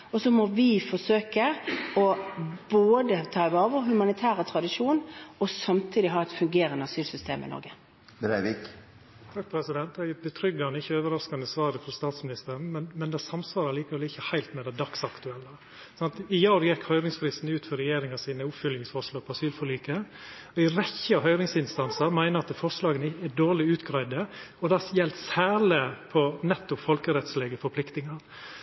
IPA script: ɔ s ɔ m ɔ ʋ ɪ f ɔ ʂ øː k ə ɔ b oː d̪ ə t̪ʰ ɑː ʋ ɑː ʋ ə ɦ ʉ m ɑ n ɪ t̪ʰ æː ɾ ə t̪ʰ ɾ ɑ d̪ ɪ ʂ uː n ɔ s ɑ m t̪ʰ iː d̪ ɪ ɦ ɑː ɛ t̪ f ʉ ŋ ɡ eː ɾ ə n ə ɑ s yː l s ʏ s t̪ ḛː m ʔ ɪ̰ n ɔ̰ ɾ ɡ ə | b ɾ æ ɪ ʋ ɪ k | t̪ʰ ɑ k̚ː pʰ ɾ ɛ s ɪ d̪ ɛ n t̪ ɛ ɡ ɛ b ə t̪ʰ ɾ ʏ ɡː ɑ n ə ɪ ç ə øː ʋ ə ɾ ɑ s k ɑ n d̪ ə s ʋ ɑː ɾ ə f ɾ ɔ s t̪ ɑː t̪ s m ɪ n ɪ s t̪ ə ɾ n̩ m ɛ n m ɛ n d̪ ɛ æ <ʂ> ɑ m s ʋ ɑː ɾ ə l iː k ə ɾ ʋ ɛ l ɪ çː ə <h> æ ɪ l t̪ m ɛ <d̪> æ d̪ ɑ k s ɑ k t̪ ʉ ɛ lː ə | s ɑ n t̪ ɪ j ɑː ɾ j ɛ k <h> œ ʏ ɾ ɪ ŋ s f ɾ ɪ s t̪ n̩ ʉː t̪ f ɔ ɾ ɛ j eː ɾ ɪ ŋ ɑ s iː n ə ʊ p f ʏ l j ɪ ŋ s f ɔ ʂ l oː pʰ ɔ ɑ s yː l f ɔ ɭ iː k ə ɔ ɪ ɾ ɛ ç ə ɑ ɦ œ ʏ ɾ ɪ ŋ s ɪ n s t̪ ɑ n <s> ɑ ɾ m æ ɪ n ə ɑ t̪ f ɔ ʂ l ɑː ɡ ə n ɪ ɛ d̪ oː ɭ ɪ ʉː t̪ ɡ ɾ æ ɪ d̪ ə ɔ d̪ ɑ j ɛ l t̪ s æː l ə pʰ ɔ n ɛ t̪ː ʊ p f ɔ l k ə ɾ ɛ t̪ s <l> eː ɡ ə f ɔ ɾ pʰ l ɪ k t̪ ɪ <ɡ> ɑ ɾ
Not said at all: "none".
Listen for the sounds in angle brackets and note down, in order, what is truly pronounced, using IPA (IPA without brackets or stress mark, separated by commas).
s, h, d̪, h, s, l, ŋ